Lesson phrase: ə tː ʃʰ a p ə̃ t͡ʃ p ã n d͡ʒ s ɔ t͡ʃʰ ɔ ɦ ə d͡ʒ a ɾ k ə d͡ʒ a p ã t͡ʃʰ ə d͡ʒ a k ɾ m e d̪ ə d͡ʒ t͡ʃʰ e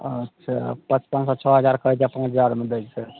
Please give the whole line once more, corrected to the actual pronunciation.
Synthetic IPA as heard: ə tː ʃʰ a p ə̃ t͡ʃ p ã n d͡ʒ s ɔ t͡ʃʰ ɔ ɦ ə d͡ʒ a ɾ k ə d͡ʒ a p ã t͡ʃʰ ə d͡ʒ a ɾ m e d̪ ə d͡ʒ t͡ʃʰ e

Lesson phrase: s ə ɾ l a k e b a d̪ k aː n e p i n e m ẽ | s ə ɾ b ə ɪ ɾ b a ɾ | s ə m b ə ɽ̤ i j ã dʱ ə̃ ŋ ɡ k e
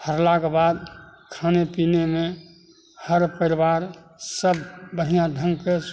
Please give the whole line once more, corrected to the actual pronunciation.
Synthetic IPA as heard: h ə ɾ l a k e b a d̪ kʰ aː n e p i n e m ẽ | h ə ɾ p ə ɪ ɾ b a ɾ | s ə b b ə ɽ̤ i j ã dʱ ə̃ ŋ ɡ k e

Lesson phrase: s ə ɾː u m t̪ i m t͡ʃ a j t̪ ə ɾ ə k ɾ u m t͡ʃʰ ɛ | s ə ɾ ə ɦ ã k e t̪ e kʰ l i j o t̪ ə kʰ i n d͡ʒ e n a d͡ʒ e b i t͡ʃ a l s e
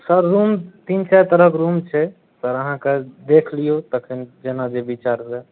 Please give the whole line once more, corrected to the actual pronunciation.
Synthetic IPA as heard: s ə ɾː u m t̪ i n t͡ʃ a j t̪ ə ɾ ə k ɾ u m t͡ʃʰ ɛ | s ə ɾ ə ɦ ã k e d̪ e kʰ l i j o t̪ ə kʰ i n d͡ʒ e n a d͡ʒ e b i t͡ʃ a ɾ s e

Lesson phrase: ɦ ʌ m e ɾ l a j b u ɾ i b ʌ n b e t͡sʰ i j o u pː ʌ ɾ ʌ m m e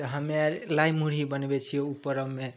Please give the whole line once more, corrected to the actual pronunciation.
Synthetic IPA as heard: ɦ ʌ m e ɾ l a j m u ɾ i b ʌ n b e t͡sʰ i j o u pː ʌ ɾ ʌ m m e

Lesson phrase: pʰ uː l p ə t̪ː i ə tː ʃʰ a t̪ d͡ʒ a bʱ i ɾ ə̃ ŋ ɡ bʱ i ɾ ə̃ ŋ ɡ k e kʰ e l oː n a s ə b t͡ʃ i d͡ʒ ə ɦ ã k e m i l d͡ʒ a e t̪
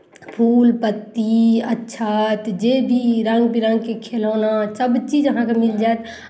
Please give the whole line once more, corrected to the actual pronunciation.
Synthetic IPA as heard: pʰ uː l p ə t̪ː i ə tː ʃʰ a t̪ d͡ʒ e bʱ i ɾ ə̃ ŋ ɡ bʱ i ɾ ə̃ ŋ ɡ k e kʰ e l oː n a s ə b t͡ʃ i d͡ʒ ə ɦ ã k e m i l d͡ʒ a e t̪

